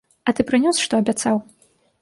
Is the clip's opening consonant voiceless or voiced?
voiceless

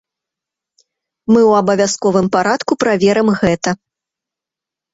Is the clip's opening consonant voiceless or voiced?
voiced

